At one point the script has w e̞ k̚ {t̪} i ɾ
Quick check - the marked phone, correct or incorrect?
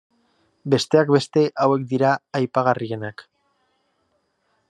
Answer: incorrect